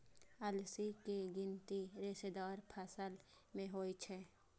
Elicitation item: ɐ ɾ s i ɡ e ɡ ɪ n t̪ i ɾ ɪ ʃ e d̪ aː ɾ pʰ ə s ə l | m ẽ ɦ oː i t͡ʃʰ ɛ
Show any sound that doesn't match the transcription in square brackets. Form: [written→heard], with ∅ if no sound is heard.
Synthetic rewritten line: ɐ [ɾ→l] s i [ɡ→k] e ɡ ɪ n t̪ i ɾ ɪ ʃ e d̪ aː ɾ pʰ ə s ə l | m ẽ ɦ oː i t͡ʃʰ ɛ